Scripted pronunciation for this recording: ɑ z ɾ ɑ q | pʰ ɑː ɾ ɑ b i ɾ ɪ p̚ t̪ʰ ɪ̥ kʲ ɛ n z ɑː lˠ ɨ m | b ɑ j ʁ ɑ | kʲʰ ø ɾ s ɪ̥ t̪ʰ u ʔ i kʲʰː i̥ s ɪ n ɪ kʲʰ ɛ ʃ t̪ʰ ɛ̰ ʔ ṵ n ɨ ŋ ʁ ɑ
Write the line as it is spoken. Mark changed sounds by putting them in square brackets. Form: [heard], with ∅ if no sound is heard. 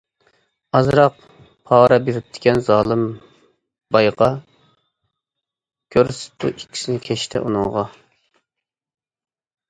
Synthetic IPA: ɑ z ɾ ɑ q | pʰ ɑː ɾ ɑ b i ɾ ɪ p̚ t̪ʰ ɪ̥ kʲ ɛ n z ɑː lˠ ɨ m | b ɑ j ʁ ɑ | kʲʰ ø ɾ s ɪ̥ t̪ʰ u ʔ i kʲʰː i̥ s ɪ n ɪ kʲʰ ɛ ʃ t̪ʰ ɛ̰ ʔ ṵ n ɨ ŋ ʁ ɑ